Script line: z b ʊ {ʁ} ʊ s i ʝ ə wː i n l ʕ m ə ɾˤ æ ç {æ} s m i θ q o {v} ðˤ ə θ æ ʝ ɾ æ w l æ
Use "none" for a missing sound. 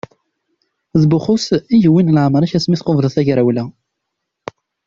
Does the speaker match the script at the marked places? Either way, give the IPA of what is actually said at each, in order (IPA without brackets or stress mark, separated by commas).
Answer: χ, æ, v